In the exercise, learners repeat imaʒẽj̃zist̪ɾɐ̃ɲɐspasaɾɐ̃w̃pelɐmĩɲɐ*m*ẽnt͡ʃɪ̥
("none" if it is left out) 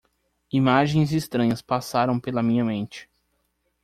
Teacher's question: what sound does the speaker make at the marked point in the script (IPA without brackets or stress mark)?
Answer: m